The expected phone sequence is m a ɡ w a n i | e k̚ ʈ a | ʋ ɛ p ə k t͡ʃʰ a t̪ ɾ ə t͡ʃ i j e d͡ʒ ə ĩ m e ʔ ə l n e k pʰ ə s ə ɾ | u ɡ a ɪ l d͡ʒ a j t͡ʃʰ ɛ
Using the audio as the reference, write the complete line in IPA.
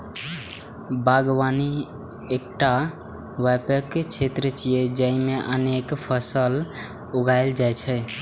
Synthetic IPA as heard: b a ɡ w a n i | e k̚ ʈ a | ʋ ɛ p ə k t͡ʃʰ e t̪ ɾ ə t͡ʃ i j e d͡ʒ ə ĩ m e ʔ ə n e k pʰ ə s ə l | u ɡ a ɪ l d͡ʒ a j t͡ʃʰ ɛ